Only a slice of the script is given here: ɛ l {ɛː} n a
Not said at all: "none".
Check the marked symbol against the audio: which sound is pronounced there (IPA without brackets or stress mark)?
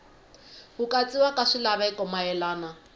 aː